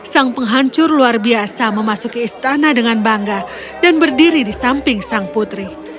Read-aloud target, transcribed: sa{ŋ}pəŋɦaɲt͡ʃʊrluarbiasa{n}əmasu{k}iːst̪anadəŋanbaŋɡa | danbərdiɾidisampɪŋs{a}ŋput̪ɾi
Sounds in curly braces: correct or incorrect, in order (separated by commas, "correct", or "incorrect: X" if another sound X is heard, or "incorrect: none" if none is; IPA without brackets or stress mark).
correct, incorrect: m, correct, correct